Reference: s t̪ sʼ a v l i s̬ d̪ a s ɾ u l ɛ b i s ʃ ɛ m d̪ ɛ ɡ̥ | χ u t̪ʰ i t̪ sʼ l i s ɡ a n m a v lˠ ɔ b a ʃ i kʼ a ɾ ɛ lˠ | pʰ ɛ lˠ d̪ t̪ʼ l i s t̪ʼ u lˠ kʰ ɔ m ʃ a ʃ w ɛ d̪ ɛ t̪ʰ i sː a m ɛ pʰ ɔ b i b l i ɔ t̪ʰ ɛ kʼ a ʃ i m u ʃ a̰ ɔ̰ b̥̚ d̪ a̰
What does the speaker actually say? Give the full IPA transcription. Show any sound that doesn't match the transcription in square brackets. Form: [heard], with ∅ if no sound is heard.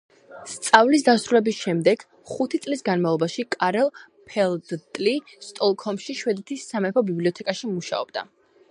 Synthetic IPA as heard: s t̪ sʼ a v l i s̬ d̪ a s ɾ u l ɛ b i s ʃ ɛ m d̪ ɛ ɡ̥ | χ u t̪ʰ i t̪ sʼ l i s ɡ a n m a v lˠ ɔ b a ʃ i kʼ a ɾ ɛ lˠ | pʰ ɛ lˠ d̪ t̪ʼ l i s t̪ʼ [ɔ] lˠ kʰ ɔ m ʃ [i] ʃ w ɛ d̪ ɛ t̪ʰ i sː a m ɛ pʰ ɔ b i b l i ɔ t̪ʰ ɛ kʼ a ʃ i m u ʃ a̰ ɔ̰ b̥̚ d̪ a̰